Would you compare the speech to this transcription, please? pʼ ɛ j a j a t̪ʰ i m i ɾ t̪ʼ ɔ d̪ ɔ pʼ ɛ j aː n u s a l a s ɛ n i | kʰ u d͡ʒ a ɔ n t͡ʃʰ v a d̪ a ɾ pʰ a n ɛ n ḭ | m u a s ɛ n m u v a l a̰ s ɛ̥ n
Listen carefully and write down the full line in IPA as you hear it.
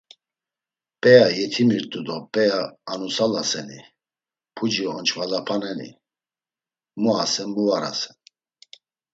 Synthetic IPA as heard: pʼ ɛ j a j ɛ t̪ʰ i m i ɾ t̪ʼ u d̪ ɔ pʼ ɛ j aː n u s a l a s ɛ n i | pʰ u d͡ʒ i ɔ n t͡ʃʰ v a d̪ a pʰ a n ɛ n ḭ | m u a s ɛ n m u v a ɾ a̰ s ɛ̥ n

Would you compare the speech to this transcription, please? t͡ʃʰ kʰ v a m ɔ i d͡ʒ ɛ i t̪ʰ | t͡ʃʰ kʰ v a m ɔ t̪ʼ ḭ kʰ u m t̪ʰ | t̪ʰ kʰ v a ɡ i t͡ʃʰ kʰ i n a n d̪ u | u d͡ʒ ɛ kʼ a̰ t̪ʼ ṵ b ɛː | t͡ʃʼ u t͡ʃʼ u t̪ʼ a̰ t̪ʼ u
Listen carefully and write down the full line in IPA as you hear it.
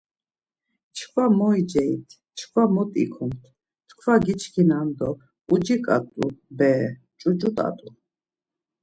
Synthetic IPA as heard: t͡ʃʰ kʰ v a m ɔ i d͡ʒ ɛ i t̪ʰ | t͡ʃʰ kʰ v a m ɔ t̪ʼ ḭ kʰ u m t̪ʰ | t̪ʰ kʰ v a ɡ i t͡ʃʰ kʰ i n a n d̪ ɔ | u d͡ʒ i kʼ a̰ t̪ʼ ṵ b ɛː | t͡ʃʼ u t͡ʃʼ u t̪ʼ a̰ t̪ʼ u

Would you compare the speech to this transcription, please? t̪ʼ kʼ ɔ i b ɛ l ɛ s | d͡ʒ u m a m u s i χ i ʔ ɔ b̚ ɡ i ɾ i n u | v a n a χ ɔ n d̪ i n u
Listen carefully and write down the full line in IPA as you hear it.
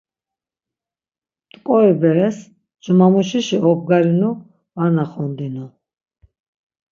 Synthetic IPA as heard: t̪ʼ kʼ ɔ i b ɛ ɾ ɛ s | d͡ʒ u m a m u ʃ i ʃ i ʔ ɔ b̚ ɡ a ɾ i n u | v a n a χ ɔ n d̪ i n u

